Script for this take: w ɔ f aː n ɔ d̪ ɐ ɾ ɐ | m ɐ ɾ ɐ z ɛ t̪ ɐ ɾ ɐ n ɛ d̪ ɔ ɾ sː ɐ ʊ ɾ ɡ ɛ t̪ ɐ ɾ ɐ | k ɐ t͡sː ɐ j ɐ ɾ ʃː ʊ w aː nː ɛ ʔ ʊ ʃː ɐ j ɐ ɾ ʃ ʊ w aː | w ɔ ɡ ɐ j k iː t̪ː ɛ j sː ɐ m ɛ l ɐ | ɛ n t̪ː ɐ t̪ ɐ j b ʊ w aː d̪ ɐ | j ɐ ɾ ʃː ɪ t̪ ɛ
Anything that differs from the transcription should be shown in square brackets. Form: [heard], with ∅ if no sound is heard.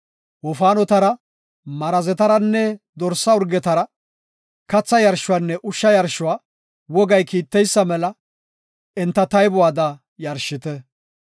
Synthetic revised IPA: w ɔ f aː n ɔ [t̪] ɐ ɾ ɐ | m ɐ ɾ ɐ z ɛ t̪ ɐ ɾ ɐ [nː] ɛ d̪ ɔ ɾ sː ɐ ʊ ɾ ɡ ɛ t̪ ɐ ɾ ɐ | k ɐ t͡sː ɐ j ɐ ɾ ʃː ʊ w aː nː ɛ ʔ ʊ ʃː ɐ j ɐ ɾ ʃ ʊ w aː | w ɔ ɡ ɐ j k iː t̪ː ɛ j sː ɐ m ɛ l ɐ | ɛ n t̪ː ɐ t̪ ɐ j b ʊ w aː d̪ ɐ | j ɐ ɾ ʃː ɪ t̪ ɛ